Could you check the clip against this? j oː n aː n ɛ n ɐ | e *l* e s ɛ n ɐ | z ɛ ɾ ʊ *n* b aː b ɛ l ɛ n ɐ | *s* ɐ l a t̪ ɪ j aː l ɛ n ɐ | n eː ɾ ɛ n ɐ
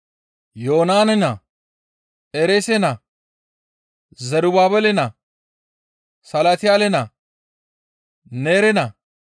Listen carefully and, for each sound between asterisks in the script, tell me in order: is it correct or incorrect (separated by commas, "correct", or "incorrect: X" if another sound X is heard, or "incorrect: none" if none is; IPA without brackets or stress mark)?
incorrect: ɾ, incorrect: none, correct